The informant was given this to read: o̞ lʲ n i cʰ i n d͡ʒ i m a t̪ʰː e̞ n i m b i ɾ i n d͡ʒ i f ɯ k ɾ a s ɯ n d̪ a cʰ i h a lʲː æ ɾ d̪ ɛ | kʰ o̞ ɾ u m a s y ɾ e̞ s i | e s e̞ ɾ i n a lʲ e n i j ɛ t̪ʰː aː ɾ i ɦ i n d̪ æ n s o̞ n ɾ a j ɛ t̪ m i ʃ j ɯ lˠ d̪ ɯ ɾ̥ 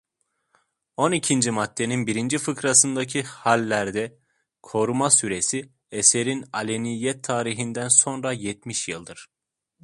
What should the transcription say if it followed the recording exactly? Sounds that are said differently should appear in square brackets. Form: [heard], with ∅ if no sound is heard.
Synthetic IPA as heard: o̞ [∅] n i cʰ i n d͡ʒ i m a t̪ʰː e̞ n i [n] b i ɾ i n d͡ʒ i f ɯ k ɾ a s ɯ n d̪ a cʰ i h a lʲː æ ɾ d̪ ɛ | kʰ o̞ ɾ u m a s y ɾ e̞ s i | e s e̞ ɾ i n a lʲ e n i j ɛ t̪ʰː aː ɾ i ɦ i n d̪ æ n s o̞ n ɾ a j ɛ t̪ m i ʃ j ɯ lˠ d̪ ɯ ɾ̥